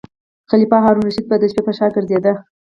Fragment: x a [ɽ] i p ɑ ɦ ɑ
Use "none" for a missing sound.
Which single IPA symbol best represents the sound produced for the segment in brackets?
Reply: l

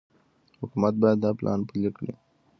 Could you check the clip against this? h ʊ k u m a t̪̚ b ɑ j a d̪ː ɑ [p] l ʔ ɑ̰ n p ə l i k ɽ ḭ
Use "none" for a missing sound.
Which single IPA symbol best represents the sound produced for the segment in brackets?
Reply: p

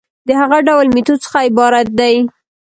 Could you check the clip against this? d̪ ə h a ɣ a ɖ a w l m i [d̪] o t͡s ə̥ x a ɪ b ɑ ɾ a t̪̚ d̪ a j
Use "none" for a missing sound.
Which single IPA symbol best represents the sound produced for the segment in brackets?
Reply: t̪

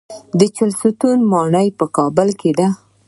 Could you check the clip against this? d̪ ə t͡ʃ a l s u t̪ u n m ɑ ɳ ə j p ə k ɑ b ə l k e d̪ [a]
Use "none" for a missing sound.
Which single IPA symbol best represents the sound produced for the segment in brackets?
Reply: a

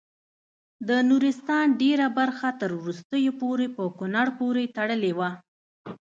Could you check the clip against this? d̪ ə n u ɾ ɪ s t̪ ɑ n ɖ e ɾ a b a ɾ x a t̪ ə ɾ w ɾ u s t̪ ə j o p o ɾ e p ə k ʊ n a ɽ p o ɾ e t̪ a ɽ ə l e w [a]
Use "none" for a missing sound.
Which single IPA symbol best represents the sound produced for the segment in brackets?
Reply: a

